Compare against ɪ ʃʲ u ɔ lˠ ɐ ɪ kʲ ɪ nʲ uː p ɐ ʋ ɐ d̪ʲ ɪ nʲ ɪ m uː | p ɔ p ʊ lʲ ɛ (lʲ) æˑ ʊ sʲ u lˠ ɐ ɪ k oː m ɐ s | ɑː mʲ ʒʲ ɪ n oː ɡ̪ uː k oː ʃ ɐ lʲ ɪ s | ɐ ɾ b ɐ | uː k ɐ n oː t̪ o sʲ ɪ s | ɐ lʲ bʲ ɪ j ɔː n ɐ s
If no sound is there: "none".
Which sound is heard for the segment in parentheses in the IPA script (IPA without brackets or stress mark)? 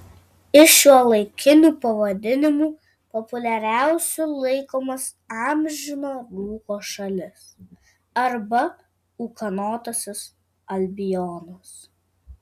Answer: ɾʲ